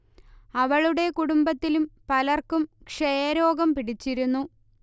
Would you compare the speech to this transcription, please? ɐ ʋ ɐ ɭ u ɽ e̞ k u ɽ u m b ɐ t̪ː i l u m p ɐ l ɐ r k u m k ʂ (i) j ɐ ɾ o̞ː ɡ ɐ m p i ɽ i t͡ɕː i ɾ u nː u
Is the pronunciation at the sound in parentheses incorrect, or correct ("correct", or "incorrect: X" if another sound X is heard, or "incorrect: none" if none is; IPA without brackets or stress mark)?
incorrect: e